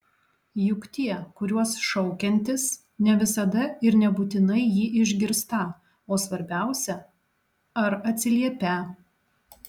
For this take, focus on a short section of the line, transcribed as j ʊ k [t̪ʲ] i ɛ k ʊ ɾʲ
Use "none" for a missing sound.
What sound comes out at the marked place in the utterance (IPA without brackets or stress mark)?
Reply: t̪ʲ